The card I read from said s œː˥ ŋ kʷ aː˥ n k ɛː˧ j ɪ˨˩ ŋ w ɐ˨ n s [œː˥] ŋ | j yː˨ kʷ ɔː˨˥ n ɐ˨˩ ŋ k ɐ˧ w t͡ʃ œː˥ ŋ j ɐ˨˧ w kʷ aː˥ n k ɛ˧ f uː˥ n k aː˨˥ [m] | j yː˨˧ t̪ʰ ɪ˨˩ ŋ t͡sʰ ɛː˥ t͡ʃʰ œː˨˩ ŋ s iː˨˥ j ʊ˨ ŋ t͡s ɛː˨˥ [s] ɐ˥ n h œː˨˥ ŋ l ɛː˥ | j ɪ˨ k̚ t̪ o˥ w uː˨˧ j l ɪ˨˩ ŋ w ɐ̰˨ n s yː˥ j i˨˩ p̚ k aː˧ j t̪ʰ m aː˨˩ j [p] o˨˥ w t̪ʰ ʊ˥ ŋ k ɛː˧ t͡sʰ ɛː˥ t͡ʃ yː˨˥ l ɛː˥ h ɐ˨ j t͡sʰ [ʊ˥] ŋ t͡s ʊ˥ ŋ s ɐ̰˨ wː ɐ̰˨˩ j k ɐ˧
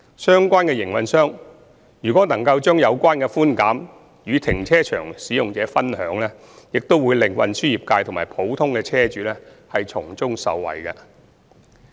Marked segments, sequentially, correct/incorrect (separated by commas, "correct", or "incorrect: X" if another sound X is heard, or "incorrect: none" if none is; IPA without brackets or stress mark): correct, correct, incorrect: f, incorrect: pʰ, incorrect: ʊ˨˩